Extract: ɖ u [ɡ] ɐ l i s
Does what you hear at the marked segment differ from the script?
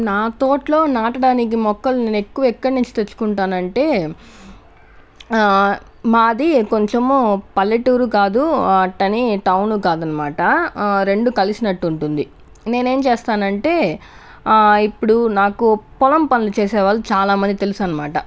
yes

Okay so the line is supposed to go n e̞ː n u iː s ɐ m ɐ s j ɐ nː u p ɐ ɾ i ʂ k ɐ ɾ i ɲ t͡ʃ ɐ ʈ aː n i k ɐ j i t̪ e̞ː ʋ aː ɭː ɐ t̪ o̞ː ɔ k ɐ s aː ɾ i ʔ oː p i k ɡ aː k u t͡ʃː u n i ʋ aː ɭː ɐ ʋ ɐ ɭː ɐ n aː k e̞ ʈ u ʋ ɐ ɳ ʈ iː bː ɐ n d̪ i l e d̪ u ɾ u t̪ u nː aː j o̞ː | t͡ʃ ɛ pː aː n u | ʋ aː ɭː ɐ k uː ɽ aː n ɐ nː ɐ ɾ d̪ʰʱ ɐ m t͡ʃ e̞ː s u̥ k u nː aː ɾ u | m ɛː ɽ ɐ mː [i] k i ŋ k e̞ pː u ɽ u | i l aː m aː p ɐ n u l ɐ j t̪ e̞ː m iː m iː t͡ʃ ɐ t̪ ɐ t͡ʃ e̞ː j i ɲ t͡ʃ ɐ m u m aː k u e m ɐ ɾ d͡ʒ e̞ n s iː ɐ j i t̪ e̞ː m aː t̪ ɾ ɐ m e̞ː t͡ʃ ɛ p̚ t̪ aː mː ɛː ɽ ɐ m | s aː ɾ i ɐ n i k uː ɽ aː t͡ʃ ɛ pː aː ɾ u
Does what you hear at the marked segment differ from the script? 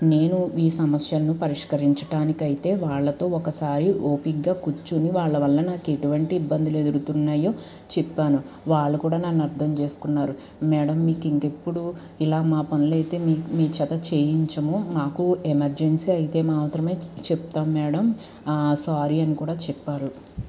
yes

